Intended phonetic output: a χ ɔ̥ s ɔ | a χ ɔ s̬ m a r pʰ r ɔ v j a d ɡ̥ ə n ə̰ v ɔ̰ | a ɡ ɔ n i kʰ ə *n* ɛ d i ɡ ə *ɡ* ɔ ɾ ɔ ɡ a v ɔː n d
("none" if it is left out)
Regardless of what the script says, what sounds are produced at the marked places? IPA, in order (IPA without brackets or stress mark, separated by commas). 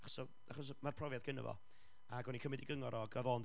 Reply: m, ŋ